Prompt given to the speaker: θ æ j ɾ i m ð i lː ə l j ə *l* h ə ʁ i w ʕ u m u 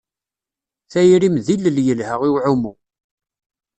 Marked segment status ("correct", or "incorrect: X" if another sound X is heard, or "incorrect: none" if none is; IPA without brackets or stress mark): correct